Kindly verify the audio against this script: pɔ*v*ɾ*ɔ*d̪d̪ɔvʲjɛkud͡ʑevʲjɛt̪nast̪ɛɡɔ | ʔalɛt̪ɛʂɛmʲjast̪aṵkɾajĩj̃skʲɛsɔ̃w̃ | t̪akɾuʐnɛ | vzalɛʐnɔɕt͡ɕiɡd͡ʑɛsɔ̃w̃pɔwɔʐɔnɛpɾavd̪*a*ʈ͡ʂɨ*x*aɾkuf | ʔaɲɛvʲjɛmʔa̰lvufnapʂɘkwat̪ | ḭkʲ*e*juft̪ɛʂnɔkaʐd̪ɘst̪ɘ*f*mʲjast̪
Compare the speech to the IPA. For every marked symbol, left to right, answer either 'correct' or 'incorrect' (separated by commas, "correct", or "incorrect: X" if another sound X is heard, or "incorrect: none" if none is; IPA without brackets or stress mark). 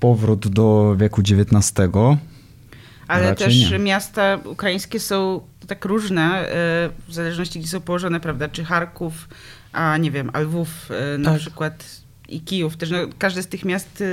correct, incorrect: u, correct, correct, incorrect: i, incorrect: x